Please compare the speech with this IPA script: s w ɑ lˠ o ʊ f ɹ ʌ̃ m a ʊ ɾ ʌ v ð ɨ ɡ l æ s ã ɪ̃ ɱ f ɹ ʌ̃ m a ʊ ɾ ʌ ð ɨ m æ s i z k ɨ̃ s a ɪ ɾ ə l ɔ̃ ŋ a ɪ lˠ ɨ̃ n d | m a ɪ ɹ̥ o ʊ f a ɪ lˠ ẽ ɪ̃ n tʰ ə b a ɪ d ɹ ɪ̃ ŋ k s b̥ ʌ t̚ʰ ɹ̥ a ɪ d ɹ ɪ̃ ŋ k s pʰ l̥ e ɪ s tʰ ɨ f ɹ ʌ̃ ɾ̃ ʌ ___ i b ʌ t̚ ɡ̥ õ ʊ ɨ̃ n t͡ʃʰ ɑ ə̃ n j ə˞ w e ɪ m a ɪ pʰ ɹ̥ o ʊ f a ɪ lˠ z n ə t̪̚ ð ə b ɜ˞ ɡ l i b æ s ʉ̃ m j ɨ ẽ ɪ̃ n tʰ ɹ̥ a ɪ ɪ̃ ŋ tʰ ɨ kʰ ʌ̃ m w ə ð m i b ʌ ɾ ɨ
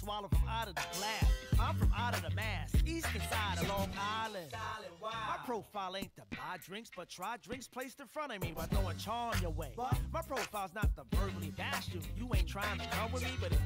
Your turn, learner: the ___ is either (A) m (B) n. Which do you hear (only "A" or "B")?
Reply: A